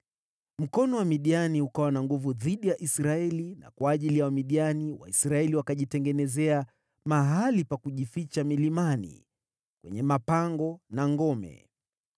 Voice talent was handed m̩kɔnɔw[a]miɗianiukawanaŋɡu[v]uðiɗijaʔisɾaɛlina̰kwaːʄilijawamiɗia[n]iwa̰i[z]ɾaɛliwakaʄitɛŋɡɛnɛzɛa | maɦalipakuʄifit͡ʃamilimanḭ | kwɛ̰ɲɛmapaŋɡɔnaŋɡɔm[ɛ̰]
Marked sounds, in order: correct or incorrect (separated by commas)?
correct, correct, correct, incorrect, correct